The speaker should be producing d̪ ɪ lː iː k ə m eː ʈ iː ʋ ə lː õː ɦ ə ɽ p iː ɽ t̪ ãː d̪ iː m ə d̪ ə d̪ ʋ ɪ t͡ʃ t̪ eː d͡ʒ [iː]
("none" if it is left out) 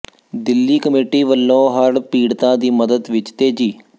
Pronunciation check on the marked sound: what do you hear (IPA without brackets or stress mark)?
iː